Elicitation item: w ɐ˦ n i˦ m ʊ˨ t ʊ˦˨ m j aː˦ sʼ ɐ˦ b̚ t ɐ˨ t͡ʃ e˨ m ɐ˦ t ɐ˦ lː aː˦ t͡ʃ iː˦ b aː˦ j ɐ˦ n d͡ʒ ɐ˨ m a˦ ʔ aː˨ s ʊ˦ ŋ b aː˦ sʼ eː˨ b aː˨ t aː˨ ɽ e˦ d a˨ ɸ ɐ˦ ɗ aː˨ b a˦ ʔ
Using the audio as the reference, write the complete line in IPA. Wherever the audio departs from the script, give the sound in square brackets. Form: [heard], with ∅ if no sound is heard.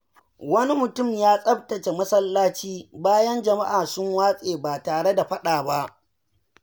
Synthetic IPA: w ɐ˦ n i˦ m ʊ˨ t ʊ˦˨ m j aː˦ sʼ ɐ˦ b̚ t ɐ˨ t͡ʃ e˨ m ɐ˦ [s] ɐ˦ lː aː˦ t͡ʃ iː˦ b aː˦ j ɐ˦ n d͡ʒ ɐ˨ m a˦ ʔ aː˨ s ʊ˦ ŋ [w] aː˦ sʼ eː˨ b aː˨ t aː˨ ɽ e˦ d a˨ ɸ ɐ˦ ɗ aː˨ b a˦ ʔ